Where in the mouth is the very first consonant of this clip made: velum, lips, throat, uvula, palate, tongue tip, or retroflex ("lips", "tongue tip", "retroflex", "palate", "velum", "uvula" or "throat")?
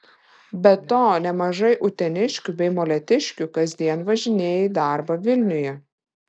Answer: lips